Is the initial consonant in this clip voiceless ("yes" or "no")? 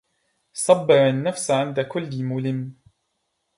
yes